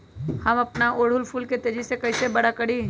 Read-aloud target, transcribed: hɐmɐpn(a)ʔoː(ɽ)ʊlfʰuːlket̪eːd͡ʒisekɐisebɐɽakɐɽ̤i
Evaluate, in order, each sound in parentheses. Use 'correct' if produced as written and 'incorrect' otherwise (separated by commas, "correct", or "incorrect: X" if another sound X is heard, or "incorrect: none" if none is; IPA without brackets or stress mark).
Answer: correct, correct